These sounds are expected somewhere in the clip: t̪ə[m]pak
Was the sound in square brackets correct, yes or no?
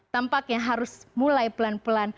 yes